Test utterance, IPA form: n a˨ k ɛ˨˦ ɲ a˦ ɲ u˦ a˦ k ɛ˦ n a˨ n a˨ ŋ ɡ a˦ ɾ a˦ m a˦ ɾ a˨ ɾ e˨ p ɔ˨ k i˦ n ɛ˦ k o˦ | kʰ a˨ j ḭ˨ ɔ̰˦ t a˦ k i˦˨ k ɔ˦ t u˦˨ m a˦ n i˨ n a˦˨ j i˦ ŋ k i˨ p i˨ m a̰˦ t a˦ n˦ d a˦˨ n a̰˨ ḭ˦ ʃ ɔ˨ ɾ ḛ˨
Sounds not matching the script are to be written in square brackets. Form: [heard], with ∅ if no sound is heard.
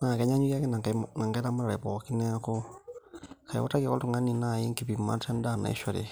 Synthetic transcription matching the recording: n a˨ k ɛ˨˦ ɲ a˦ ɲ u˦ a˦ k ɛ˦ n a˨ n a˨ ŋ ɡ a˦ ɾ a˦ m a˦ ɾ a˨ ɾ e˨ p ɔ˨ k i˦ n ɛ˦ k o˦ | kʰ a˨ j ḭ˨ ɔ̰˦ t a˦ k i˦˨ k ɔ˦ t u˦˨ [ŋ] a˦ n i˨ n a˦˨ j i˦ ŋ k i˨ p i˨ m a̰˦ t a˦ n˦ d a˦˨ n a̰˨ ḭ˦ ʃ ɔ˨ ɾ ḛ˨